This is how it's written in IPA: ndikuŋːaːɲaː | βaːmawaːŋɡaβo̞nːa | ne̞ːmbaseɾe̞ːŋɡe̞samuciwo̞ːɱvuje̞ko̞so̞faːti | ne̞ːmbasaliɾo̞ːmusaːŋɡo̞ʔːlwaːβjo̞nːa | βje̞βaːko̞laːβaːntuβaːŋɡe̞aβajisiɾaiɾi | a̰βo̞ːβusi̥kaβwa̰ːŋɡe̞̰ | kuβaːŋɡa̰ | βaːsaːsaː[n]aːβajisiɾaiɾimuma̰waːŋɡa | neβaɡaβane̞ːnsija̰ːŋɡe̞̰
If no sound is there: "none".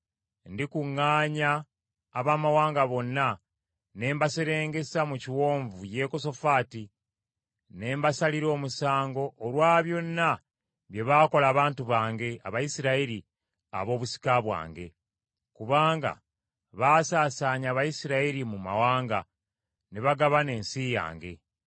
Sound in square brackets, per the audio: ɲ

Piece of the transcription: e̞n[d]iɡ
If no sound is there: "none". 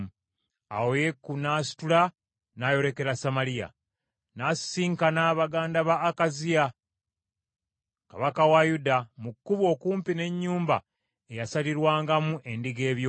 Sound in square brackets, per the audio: d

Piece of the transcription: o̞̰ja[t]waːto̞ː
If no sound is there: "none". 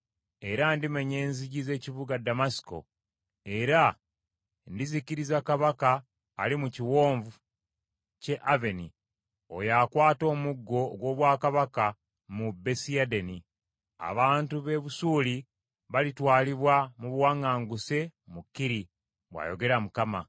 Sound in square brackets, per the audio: k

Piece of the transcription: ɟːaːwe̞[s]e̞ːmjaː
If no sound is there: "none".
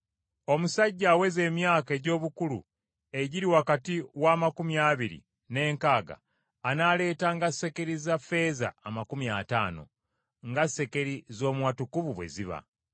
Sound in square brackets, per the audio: z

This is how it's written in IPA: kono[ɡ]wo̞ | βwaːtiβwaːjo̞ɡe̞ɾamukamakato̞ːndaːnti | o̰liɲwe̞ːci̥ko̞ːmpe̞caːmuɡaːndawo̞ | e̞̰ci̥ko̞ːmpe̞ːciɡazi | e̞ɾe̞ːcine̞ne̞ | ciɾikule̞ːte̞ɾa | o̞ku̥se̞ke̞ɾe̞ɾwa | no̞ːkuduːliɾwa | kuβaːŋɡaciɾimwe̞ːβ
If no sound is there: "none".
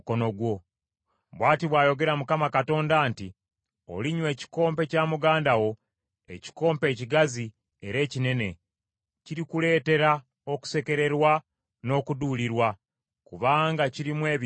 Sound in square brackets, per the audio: ɡ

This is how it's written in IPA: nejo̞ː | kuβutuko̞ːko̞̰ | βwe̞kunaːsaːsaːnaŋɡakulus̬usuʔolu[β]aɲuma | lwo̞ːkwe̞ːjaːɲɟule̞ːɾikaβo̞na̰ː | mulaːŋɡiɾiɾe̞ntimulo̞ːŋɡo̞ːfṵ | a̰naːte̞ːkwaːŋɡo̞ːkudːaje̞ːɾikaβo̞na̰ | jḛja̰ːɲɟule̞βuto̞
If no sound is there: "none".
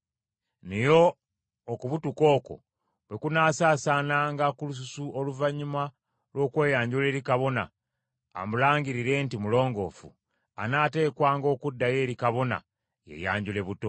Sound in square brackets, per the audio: v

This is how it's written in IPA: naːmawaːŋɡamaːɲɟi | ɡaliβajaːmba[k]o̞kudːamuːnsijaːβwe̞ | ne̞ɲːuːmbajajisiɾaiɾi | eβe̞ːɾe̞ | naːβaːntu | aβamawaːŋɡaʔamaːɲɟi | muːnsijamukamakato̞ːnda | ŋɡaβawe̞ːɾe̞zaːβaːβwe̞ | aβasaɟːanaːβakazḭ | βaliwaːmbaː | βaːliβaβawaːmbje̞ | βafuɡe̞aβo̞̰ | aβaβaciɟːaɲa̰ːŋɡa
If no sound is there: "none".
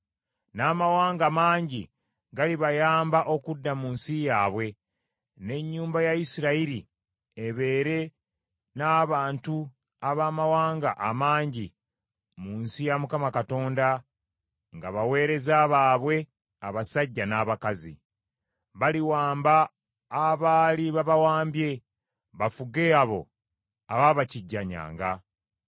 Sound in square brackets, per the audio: ʔ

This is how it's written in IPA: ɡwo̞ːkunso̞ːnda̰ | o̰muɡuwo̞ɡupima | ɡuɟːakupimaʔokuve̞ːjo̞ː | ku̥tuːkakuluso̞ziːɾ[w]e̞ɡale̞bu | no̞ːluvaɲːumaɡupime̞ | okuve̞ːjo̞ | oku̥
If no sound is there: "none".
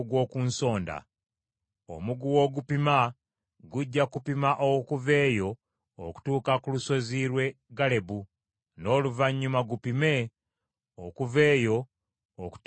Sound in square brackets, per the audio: w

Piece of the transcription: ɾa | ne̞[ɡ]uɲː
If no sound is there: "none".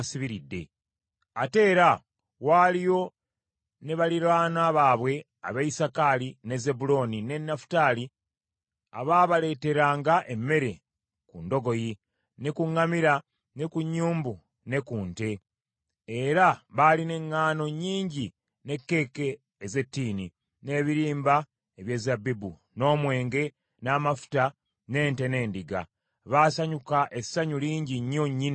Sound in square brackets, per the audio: k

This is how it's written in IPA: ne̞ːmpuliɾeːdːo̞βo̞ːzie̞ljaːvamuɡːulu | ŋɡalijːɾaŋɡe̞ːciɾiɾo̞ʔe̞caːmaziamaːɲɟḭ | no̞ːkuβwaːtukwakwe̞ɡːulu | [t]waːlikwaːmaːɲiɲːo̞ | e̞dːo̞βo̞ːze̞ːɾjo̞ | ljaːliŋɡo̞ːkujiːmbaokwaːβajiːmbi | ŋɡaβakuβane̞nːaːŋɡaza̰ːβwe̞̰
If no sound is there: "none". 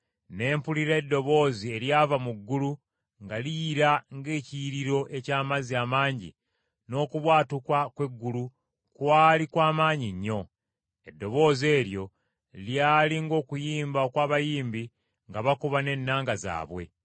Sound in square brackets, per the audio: k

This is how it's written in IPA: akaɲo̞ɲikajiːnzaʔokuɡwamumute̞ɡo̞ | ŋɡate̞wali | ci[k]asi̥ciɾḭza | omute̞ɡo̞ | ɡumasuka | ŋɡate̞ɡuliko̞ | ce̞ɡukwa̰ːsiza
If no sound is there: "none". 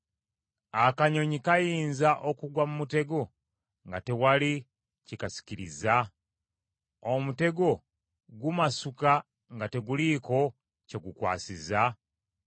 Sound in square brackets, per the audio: k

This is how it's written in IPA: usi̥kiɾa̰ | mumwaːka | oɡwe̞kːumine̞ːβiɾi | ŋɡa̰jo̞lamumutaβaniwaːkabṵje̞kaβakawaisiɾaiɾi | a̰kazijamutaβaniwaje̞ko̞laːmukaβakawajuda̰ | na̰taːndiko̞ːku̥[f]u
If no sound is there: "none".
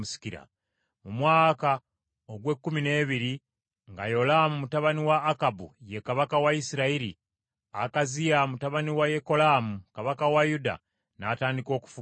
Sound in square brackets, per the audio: f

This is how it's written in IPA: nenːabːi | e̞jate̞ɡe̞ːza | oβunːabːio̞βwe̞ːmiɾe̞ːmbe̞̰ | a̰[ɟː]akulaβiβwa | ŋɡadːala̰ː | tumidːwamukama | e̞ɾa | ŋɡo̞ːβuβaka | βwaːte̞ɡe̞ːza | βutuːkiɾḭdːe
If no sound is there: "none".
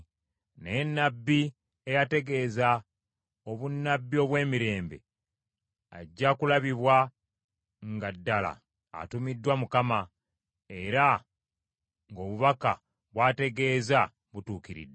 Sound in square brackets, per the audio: ɟː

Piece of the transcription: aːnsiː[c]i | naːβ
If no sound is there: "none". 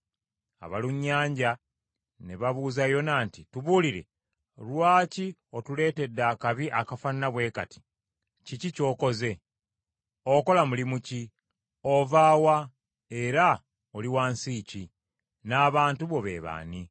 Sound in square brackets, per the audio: c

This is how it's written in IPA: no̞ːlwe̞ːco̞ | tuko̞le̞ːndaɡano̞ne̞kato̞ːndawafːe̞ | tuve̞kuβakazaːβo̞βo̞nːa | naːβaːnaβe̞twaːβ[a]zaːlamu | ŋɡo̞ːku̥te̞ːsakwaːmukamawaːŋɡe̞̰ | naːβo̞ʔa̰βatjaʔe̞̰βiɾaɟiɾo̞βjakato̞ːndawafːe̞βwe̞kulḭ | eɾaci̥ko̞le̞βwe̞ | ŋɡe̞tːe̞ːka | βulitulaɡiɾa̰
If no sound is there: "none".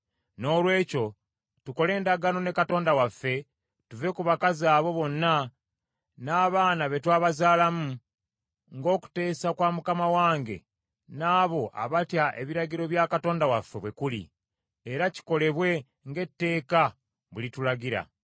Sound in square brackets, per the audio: a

